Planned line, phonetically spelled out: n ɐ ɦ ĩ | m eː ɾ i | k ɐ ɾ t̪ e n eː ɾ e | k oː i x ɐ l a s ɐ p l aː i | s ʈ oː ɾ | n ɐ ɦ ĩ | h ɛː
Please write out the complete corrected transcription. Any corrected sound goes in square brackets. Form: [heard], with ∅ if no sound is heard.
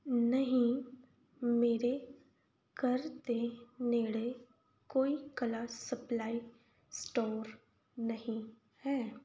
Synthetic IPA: n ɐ ɦ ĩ | m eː ɾ [e] | k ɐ ɾ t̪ e n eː [ɽ] e | k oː i [k] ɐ l a s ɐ p l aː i | s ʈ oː ɾ | n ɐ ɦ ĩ | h ɛː